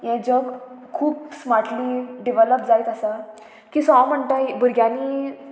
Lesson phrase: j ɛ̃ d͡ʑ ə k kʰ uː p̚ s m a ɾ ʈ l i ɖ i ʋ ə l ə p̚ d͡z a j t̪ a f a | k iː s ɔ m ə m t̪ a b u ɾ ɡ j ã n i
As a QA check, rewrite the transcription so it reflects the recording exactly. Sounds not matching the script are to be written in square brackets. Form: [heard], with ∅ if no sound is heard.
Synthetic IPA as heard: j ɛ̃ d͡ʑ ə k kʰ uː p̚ s m a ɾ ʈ l i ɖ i ʋ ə l ə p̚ d͡z a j t̪ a [s] a | k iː s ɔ m ə [ɳ] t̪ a b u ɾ ɡ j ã n i